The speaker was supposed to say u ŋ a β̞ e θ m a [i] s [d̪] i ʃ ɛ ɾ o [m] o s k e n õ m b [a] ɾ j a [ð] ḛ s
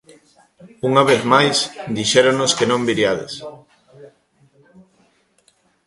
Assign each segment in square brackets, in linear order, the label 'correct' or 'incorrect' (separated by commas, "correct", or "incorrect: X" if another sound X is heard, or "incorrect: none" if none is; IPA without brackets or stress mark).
incorrect: j, correct, incorrect: n, incorrect: i, correct